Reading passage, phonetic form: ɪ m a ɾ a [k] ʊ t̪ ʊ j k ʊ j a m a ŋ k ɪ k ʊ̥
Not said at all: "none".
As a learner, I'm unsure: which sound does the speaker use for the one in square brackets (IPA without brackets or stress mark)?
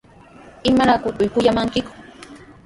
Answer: k